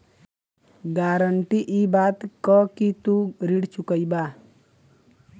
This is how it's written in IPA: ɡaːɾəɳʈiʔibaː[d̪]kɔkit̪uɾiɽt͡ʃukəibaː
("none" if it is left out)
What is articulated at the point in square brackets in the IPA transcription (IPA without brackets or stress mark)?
t̪